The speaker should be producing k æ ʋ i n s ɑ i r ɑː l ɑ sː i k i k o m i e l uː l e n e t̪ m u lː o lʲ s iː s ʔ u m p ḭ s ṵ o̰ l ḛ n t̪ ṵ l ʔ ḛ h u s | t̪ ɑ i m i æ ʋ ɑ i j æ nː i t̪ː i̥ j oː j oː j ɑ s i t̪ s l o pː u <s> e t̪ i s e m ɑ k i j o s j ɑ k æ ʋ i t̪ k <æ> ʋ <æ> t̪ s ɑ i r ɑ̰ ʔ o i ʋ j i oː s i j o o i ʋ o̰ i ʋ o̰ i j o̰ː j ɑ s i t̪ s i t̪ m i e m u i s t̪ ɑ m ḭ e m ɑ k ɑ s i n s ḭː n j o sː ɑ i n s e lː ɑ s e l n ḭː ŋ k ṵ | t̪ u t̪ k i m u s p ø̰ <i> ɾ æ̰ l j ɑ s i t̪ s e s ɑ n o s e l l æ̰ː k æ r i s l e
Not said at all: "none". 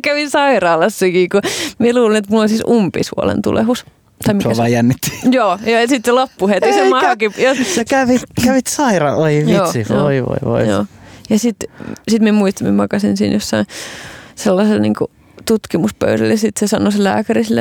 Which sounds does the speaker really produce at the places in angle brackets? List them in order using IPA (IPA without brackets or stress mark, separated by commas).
h, æ, i, y